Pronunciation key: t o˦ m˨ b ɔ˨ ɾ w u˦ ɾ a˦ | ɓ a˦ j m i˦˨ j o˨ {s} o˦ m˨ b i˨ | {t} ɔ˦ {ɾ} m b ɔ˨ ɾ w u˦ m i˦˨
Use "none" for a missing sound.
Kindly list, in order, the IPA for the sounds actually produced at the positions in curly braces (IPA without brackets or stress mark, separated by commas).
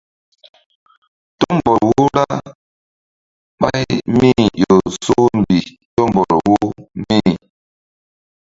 s, t, none